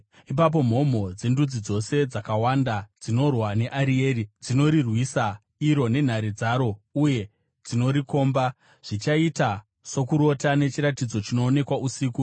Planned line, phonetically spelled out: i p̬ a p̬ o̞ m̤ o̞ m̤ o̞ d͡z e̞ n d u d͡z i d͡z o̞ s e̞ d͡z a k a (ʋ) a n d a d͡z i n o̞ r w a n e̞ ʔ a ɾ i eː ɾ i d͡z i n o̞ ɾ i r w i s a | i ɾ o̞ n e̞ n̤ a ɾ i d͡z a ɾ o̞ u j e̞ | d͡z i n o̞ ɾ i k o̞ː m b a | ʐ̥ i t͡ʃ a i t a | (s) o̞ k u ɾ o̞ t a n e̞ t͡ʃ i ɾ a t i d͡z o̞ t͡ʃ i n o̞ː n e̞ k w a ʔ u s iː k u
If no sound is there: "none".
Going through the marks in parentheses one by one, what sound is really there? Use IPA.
w, s

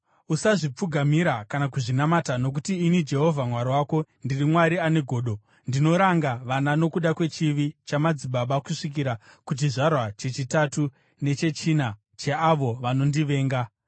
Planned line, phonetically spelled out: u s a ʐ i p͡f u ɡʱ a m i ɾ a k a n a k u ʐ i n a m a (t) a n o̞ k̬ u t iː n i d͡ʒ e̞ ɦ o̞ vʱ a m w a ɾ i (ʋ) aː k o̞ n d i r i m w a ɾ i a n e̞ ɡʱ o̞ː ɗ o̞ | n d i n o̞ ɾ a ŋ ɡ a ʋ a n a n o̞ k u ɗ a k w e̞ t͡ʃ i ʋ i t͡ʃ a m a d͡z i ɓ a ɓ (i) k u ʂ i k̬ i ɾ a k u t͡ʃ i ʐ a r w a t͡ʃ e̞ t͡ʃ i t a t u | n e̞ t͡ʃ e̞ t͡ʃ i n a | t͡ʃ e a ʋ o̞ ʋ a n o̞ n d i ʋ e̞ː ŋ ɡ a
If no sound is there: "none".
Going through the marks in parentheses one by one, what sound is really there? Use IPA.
t, w, a

